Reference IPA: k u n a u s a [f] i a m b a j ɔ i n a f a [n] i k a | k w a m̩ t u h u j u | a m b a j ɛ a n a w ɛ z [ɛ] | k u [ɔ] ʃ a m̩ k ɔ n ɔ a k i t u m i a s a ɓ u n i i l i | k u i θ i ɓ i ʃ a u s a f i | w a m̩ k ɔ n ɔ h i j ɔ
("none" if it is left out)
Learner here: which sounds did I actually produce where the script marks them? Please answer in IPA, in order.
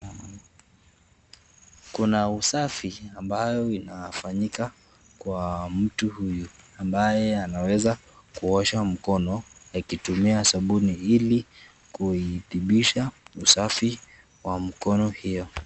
f, ɲ, a, ɔ

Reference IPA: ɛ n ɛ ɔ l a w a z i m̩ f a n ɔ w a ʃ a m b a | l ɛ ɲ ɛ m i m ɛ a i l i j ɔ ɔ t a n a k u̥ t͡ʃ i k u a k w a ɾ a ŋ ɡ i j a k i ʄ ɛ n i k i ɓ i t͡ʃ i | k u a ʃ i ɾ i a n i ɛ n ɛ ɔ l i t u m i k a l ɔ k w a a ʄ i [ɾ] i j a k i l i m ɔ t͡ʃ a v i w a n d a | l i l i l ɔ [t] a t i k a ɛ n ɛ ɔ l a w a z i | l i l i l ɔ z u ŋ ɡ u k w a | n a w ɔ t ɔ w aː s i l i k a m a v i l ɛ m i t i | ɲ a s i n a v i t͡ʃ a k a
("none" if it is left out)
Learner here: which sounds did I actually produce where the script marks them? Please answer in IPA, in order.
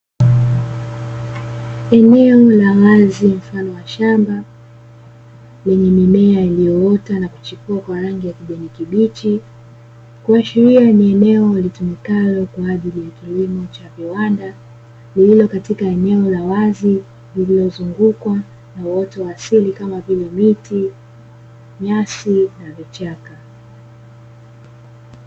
l, k

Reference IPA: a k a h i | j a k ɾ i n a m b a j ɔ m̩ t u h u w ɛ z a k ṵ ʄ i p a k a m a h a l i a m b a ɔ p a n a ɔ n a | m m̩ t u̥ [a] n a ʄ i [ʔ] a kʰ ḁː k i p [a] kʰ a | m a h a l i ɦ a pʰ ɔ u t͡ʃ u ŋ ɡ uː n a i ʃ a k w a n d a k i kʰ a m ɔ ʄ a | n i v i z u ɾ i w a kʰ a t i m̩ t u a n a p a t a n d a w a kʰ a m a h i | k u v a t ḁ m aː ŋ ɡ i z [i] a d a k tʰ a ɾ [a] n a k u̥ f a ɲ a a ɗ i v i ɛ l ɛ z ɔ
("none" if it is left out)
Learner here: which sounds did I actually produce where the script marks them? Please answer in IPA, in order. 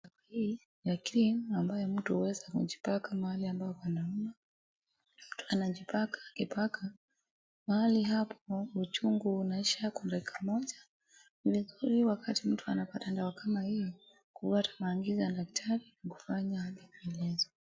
a, p, a, a, i

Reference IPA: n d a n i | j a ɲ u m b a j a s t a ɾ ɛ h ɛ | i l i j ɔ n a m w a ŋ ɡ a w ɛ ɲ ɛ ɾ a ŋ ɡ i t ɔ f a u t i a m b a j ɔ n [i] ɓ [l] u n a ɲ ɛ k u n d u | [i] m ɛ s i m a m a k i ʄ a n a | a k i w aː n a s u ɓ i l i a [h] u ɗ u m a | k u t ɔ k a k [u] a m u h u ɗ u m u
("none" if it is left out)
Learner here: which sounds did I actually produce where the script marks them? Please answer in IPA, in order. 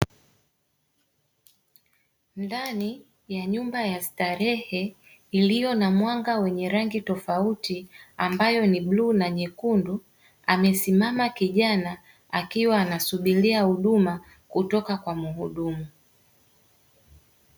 i, l, a, h, w

